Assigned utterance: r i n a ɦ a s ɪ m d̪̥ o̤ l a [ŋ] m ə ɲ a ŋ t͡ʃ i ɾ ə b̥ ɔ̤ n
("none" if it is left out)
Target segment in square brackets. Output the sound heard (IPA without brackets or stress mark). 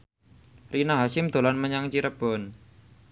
n